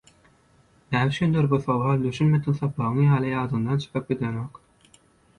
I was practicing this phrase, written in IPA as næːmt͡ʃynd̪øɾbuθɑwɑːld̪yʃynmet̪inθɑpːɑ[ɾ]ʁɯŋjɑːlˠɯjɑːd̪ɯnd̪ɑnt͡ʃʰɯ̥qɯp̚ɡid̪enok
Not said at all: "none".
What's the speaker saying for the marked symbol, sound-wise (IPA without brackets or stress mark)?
none